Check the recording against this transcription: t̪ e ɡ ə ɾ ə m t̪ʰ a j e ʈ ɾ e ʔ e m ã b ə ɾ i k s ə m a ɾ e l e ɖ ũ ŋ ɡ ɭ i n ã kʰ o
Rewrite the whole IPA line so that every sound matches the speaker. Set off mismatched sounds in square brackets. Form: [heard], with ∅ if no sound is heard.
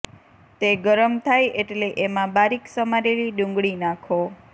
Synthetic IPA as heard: t̪ e ɡ ə ɾ ə m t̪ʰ a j e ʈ [l] e ʔ e m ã b [a] ɾ i k s ə m a ɾ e l [i] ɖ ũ ŋ ɡ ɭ i n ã kʰ o